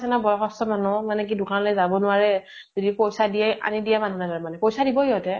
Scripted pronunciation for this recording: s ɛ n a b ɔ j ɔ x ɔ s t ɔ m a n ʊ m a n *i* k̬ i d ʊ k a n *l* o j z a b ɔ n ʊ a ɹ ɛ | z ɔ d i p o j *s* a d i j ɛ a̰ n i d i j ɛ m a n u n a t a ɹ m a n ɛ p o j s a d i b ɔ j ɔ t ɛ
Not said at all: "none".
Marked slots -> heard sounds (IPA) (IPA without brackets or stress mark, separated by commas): ɛ, l, s